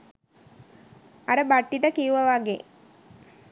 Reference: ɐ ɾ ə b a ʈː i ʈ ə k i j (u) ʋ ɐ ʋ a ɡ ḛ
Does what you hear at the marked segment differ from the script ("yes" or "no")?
no